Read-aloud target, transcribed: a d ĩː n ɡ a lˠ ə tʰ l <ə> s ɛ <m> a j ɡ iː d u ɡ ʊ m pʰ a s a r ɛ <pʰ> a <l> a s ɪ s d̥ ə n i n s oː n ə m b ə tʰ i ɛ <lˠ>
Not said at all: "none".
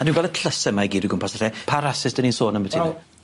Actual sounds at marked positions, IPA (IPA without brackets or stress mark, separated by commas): ə, m, pʰ, ɾ, none